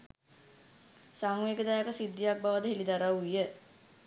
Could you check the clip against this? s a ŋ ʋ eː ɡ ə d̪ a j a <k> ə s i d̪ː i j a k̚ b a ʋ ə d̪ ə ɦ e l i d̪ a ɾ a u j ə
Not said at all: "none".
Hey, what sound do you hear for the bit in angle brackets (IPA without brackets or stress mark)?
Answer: k